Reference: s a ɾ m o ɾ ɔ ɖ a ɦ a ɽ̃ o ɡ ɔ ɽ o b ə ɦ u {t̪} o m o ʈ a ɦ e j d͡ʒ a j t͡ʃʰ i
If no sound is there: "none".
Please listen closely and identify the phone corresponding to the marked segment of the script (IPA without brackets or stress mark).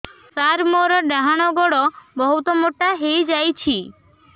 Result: t̪